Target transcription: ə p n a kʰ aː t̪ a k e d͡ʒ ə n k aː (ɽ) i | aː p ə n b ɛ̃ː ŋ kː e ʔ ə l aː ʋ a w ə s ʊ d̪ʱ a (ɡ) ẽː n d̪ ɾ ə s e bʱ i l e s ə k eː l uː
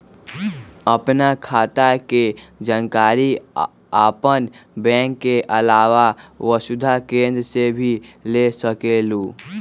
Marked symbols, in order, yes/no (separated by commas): no, no